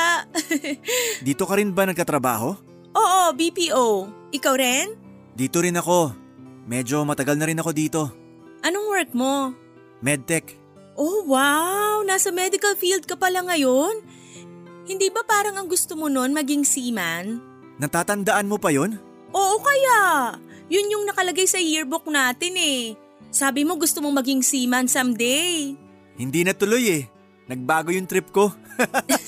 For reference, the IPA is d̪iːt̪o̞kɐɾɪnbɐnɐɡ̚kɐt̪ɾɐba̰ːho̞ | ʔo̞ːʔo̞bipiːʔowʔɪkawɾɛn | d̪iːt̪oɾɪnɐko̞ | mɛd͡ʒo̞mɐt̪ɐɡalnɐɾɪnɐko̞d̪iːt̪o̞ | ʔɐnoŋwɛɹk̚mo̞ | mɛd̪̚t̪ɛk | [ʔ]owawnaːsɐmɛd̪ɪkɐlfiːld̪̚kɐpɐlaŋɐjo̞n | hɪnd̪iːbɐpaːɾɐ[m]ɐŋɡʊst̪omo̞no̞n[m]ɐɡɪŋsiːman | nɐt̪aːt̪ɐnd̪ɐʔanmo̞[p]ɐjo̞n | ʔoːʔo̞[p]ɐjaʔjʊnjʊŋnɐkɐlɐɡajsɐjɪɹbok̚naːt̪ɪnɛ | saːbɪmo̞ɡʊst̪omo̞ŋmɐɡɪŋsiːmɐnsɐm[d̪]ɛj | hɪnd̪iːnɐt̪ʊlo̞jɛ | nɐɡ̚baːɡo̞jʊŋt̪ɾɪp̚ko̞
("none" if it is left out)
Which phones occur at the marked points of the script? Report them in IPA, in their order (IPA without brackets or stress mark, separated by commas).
ʔ, ŋ, m, p, k, d̪